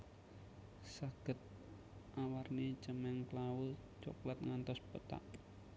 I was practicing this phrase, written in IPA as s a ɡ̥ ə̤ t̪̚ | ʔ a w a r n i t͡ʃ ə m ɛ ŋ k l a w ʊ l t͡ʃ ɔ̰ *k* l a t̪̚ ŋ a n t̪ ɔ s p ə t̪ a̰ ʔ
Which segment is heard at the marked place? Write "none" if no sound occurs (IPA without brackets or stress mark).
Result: k